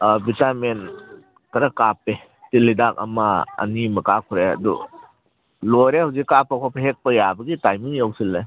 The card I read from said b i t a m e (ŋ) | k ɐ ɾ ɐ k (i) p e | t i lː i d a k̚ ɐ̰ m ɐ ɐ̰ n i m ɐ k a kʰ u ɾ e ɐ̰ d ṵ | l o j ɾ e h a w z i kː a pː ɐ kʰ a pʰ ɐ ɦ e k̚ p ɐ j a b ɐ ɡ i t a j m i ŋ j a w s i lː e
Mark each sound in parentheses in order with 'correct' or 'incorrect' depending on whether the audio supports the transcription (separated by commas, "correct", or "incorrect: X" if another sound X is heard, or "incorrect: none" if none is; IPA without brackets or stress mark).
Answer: incorrect: n, incorrect: a